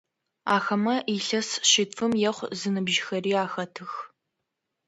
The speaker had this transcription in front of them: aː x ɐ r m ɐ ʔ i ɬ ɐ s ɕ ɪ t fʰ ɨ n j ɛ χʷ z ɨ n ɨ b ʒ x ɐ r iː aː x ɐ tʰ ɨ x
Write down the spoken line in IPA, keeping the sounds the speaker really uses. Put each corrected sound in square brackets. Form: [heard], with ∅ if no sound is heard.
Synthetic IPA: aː x ɐ [∅] m ɐ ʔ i ɬ ɐ s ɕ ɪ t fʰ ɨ [m] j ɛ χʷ z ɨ n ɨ b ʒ x ɐ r iː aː x ɐ tʰ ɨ x